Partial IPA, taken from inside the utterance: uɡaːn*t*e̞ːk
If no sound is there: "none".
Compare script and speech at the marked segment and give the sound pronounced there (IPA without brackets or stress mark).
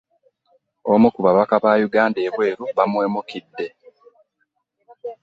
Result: d